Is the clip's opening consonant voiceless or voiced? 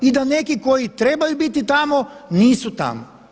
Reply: voiced